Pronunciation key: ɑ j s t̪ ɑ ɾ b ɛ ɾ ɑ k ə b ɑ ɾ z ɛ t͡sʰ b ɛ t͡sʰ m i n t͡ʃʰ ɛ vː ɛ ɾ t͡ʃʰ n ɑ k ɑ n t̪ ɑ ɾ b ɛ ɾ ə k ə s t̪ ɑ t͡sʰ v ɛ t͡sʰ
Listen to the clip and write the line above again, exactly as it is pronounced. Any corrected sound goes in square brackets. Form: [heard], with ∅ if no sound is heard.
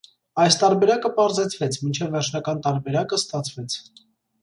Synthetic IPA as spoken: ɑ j s t̪ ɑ ɾ b ɛ ɾ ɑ k ə [p] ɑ ɾ z ɛ t͡sʰ [v] ɛ t͡sʰ m i n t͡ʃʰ ɛ vː ɛ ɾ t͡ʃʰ n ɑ k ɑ n t̪ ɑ ɾ b ɛ ɾ [ɑ] k ə s t̪ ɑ t͡sʰ v ɛ t͡sʰ

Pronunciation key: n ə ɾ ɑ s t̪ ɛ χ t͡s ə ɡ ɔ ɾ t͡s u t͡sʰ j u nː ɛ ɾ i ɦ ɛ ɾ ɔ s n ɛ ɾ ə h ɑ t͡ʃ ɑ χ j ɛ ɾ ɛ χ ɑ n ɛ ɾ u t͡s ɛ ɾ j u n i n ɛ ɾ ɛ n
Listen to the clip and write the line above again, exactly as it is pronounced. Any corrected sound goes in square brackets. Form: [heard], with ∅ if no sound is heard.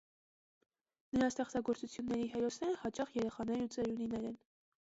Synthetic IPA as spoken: n ə ɾ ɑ s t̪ ɛ χ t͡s [ɑ] ɡ ɔ ɾ t͡s u t͡sʰ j u nː ɛ ɾ i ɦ ɛ ɾ ɔ s n ɛ ɾ ə h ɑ t͡ʃ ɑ χ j ɛ ɾ ɛ χ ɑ n ɛ ɾ u t͡s ɛ ɾ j u n i n ɛ ɾ ɛ n

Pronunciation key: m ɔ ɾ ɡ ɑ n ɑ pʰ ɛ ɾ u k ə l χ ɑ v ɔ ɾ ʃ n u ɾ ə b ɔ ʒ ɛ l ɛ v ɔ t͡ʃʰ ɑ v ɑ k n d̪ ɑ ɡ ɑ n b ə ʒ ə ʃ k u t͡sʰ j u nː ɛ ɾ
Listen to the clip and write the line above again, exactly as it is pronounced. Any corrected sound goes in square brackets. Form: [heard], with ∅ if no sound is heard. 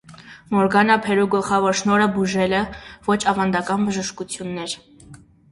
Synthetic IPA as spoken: m ɔ ɾ ɡ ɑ n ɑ pʰ ɛ ɾ u [ɡ] ə l χ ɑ v ɔ ɾ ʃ n [ɔ] ɾ ə b [u] ʒ ɛ l ɛ v ɔ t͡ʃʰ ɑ v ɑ [∅] n d̪ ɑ [k] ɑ n b ə ʒ ə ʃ k u t͡sʰ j u nː ɛ ɾ

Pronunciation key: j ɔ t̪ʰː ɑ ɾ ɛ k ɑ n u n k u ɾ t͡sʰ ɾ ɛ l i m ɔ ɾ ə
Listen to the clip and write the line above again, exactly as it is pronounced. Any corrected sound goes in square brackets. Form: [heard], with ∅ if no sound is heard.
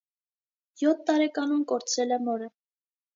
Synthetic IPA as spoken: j ɔ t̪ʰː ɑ ɾ ɛ k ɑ n u [m] k [ɔ] ɾ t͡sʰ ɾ ɛ l [ɛ] m ɔ ɾ ə

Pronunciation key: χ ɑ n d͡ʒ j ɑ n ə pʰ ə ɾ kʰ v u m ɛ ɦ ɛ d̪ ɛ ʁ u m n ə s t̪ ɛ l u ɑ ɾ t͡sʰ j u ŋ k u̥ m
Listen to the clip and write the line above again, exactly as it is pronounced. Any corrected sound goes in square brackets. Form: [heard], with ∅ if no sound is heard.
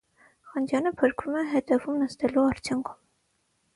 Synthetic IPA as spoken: χ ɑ n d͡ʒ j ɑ n ə pʰ ə ɾ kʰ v u m ɛ ɦ ɛ d̪ ɛ [v] u m n ə s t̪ ɛ l u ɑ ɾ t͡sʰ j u ŋ [kʰ] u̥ m

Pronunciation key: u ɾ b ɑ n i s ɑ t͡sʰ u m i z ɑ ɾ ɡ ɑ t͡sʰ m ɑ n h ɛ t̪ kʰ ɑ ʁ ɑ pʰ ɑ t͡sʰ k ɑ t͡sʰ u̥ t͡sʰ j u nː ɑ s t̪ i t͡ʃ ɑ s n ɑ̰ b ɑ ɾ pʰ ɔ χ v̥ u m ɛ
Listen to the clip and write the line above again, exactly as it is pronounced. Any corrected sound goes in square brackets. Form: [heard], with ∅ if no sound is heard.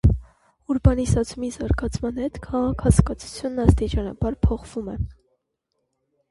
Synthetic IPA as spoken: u ɾ b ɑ n i s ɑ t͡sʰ u m i z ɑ ɾ ɡ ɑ t͡sʰ m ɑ n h ɛ t̪ kʰ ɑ ʁ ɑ [kʰ] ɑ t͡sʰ k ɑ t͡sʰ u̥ t͡sʰ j u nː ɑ s t̪ i t͡ʃ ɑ [∅] n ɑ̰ b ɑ ɾ pʰ ɔ χ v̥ u m ɛ

